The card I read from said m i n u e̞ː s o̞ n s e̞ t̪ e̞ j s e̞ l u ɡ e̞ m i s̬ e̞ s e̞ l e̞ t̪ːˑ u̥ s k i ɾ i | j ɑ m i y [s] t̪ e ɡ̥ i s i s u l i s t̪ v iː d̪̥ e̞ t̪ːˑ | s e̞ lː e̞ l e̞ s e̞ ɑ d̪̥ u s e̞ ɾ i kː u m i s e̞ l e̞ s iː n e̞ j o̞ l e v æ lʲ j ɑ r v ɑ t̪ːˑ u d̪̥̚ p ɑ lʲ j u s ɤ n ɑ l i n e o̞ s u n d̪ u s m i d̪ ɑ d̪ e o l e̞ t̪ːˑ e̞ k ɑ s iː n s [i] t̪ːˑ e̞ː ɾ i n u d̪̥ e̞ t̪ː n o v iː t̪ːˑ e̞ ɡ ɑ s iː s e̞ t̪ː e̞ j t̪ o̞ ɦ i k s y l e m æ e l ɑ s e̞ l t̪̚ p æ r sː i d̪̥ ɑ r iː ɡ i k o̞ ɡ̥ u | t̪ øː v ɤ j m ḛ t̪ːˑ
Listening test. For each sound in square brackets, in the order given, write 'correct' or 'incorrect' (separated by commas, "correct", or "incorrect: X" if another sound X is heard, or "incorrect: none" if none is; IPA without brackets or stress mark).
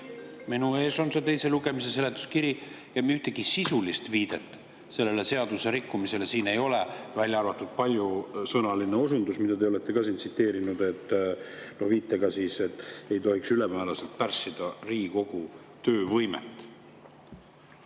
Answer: incorrect: h, correct